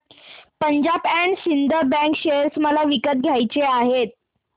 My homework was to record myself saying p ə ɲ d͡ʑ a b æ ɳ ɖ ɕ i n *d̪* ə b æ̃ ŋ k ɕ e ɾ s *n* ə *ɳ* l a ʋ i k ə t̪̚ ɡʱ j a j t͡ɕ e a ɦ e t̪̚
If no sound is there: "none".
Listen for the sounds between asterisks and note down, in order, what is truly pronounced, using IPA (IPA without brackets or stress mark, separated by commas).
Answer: d̪, m, none